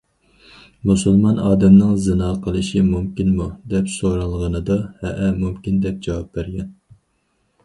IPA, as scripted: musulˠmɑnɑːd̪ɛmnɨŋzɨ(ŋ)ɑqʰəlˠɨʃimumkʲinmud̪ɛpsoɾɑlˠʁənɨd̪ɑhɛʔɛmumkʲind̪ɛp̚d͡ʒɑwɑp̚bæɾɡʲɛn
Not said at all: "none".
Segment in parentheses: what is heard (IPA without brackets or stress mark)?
n